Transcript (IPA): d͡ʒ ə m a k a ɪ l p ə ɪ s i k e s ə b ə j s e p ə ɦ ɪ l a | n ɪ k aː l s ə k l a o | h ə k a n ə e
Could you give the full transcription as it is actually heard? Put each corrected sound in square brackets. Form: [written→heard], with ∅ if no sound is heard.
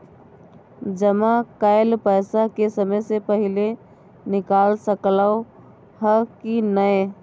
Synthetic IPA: d͡ʒ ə m a k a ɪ l p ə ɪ s [i→a] k e s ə [b→m] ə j s e p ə ɦ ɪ l [a→e] | n ɪ k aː l s ə k l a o | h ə k [a→i] n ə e